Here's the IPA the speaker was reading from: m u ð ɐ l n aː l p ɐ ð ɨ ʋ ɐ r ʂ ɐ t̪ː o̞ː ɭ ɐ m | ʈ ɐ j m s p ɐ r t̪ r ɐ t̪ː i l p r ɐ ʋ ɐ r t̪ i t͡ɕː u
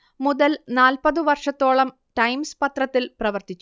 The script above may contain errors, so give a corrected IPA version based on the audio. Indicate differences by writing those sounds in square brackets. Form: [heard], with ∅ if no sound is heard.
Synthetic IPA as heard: m u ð ɐ l n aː l p ɐ ð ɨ ʋ ɐ r ʂ ɐ t̪ː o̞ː ɭ ɐ m | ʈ ɐ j m s p ɐ [∅] t̪ r ɐ t̪ː i l p r ɐ ʋ ɐ r t̪ i t͡ɕː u